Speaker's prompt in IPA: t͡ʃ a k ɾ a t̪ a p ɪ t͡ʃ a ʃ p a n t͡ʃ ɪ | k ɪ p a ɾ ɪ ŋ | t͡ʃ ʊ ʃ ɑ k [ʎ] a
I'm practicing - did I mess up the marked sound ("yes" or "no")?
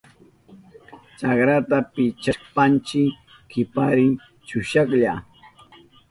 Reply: no